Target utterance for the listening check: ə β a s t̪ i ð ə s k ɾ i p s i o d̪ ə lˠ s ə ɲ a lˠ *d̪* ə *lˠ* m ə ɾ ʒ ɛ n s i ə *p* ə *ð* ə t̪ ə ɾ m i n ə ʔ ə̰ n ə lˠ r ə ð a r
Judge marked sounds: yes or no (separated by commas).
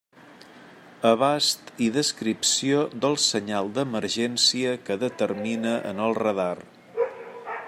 yes, no, no, yes